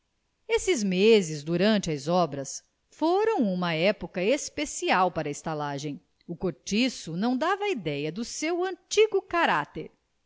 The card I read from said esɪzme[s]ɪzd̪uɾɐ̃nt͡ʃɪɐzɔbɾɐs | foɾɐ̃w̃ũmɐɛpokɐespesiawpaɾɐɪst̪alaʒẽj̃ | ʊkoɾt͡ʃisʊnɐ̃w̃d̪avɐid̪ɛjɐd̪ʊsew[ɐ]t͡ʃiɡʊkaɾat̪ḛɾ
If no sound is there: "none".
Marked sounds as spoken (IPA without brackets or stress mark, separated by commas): z, ɐ̃